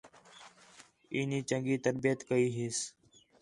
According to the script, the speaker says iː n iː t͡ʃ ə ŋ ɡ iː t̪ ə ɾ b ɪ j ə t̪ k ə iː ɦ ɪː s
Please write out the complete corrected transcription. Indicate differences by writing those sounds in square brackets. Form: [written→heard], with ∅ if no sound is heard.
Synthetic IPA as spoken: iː n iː t͡ʃ ə ŋ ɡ iː t̪ ə ɾ b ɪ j ə t̪ k ə iː ɦ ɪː s